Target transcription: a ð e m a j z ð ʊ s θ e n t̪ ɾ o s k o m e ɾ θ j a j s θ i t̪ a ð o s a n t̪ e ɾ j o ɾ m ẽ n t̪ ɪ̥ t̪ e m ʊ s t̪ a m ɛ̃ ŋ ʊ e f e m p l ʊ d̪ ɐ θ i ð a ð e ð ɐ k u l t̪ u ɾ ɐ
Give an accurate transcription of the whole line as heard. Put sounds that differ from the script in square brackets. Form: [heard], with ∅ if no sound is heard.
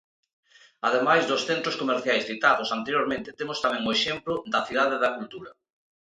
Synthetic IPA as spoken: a ð e m a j z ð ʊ s θ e n t̪ ɾ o s k o m e ɾ θ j a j s θ i t̪ a ð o s a n t̪ e ɾ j o ɾ m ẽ n t̪ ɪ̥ t̪ e m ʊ s t̪ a m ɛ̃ ŋ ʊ e [ʃ] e m p l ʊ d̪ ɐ θ i ð a ð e ð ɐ k u l t̪ u ɾ ɐ